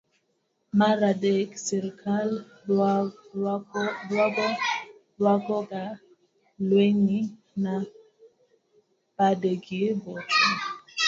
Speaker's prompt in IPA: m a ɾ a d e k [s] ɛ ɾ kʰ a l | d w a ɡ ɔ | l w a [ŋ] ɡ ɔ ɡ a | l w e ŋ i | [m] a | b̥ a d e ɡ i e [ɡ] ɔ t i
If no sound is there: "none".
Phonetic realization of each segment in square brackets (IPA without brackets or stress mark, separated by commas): s, none, n, b